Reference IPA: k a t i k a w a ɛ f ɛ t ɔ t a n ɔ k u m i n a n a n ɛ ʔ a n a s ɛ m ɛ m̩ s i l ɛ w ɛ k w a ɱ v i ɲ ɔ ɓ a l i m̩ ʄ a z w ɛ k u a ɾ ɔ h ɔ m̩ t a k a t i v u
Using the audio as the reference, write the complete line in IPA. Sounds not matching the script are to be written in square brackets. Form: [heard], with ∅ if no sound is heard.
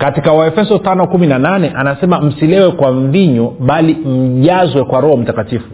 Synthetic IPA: k a t i k a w a ɛ f ɛ [s] ɔ t a n ɔ k u m i n a n a n ɛ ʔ a n a s ɛ m [a] m̩ s i l ɛ w ɛ k w a ɱ v i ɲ ɔ ɓ a l i m̩ ʄ a z w ɛ k [w] a ɾ ɔ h ɔ m̩ t a k a t i [f] u